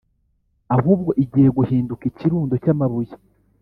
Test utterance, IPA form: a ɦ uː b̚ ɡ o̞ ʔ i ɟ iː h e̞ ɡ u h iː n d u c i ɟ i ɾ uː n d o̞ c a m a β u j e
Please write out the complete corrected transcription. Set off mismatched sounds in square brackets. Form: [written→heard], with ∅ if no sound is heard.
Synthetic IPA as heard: a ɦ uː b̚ ɡ o̞ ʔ i ɟ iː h e̞ ɡ u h iː n d u [c→k] i [ɟ→c] i ɾ uː n d o̞ c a m a β u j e